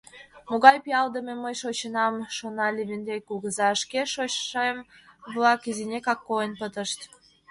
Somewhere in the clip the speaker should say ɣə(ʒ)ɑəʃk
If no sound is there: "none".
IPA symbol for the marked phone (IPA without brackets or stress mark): z